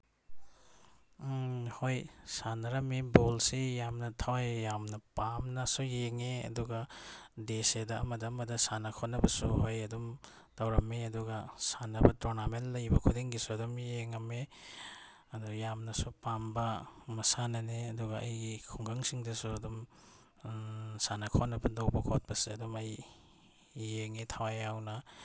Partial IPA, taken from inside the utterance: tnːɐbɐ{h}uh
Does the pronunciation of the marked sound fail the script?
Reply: yes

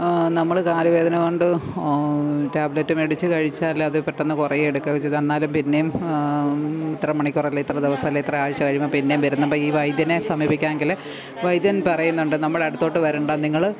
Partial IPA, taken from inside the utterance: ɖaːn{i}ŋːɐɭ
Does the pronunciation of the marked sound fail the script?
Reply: no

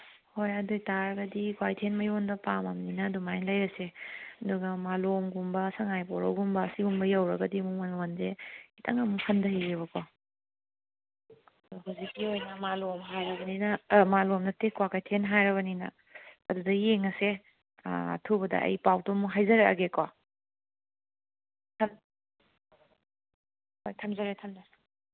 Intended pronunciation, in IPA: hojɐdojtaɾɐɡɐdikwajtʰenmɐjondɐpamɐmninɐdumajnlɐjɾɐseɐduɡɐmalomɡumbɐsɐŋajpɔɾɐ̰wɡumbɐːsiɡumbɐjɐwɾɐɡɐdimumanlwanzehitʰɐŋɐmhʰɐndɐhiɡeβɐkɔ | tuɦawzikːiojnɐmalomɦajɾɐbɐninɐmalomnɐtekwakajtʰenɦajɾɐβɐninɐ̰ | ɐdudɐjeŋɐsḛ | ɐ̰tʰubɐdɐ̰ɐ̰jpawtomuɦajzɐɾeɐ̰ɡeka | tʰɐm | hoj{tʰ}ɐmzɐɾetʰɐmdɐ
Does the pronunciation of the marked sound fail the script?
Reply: no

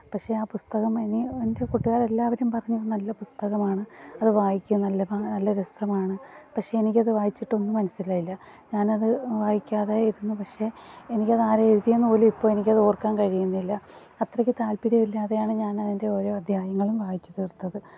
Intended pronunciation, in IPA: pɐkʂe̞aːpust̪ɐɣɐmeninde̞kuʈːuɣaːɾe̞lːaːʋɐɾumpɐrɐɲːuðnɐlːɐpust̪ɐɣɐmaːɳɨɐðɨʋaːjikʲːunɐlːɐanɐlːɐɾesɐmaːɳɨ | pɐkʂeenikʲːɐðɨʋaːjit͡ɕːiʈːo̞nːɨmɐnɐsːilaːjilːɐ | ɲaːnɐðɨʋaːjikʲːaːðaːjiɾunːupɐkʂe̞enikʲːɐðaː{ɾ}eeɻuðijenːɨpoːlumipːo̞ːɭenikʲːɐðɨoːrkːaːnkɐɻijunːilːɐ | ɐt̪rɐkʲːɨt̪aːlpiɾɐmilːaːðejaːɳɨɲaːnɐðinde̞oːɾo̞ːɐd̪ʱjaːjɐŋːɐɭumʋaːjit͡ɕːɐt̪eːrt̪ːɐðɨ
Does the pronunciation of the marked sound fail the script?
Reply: no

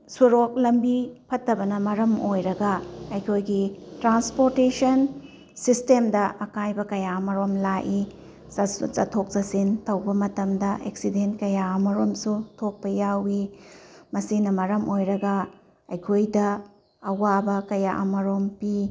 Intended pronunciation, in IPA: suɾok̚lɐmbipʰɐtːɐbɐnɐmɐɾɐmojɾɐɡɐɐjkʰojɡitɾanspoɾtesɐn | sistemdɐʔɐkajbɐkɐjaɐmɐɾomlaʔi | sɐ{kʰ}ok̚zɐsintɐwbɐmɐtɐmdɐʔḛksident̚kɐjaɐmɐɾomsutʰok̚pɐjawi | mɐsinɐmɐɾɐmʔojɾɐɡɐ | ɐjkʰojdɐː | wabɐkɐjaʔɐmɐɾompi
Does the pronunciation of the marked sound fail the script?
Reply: yes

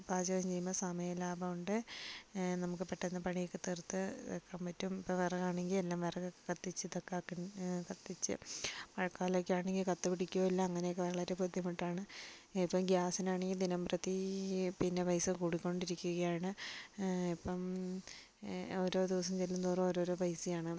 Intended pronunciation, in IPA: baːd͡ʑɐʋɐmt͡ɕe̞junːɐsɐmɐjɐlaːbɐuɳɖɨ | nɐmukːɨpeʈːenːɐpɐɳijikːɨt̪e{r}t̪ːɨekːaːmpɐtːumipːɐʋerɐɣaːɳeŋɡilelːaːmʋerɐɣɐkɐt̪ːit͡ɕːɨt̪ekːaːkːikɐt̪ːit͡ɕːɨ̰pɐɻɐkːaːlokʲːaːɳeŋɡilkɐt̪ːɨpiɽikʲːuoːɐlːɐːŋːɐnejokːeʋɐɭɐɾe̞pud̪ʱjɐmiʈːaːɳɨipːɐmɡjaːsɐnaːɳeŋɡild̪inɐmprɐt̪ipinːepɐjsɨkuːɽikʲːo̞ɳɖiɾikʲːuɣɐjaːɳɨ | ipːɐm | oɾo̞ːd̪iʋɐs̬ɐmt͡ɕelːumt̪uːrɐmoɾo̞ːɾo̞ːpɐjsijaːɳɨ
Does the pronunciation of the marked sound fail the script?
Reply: no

